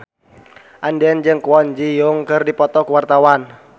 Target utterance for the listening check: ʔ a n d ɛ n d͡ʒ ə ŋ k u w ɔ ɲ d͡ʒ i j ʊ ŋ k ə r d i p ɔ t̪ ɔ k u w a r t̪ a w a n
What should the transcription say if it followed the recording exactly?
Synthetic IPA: ʔ a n d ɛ n d͡ʒ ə ŋ k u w ɔ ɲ d͡ʒ i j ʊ ŋ k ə r d i p ɔ t̪ ɔ k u w a r t̪ a w a n